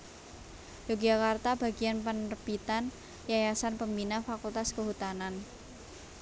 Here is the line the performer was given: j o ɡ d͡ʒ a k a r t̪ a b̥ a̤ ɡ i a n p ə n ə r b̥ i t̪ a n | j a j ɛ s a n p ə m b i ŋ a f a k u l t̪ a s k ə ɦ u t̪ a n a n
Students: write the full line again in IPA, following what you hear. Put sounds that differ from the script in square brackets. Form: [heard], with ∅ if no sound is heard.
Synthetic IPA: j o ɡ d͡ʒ a k a r t̪ a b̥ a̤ ɡ i a n p ə n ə r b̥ i t̪ a n | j a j [a] s a n p ə m b i [n] a f a k u l t̪ a s k ə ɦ u t̪ a n a n